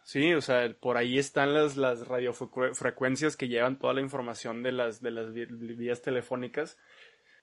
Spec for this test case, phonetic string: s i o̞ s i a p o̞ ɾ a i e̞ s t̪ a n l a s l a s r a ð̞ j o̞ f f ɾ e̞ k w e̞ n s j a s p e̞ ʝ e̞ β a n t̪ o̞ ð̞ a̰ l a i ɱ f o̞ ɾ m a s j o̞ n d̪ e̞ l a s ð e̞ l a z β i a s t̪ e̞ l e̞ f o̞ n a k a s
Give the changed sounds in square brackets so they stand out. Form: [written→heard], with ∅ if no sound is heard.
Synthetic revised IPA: s i o̞ s [i→e] a p o̞ ɾ a i e̞ s t̪ a n l a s l a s r a ð̞ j o̞ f f ɾ e̞ k w e̞ n s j a s [p→k] e̞ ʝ e̞ β a n t̪ o̞ ð̞ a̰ l a i ɱ f o̞ ɾ m a s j o̞ n d̪ e̞ l a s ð e̞ l a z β i a s t̪ e̞ l e̞ f o̞ n [a→i] k a s